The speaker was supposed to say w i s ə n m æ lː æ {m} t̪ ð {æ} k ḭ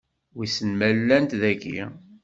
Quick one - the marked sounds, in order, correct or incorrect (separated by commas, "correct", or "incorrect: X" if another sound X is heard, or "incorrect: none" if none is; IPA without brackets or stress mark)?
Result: incorrect: n, correct